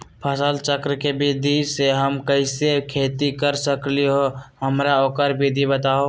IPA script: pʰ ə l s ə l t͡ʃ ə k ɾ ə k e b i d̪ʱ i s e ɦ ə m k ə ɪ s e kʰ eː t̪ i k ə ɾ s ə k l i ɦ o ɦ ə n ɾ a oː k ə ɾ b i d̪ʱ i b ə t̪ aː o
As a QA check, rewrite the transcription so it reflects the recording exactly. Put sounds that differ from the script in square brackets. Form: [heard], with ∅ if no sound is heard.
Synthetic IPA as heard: pʰ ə [∅] s ə l t͡ʃ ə k ɾ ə k e b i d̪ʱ i s e ɦ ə m k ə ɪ s e kʰ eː t̪ i k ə ɾ s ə k l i ɦ o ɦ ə [m] ɾ a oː k ə ɾ b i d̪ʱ i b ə t̪ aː o